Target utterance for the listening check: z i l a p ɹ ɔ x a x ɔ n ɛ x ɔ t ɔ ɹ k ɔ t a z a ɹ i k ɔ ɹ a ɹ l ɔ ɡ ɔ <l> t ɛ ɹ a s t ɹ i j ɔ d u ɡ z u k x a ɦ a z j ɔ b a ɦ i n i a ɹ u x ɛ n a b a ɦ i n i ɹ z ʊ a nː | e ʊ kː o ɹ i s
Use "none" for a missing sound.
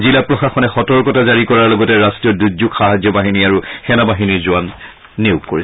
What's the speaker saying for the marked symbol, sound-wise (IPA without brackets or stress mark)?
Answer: none